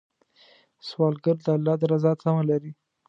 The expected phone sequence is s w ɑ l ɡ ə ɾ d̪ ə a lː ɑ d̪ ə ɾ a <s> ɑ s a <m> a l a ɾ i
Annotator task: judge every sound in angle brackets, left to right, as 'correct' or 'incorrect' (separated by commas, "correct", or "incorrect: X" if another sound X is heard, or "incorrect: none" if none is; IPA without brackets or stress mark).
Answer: incorrect: z, correct